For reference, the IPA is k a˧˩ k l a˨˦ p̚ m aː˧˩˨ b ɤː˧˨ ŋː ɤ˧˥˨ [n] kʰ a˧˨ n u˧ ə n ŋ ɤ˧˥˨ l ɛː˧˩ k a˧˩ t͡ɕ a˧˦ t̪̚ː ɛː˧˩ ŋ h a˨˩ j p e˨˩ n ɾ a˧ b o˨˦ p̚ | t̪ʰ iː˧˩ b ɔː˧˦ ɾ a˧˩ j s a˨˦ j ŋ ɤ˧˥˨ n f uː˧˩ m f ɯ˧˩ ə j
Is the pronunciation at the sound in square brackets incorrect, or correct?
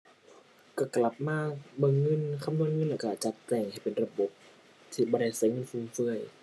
correct